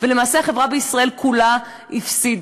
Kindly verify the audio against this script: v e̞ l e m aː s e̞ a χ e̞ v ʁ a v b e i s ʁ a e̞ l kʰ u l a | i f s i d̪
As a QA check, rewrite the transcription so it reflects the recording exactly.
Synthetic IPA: v e̞ l e m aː s e̞ a χ e̞ v ʁ a b e i s ʁ a e̞ l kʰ u l a | i f s i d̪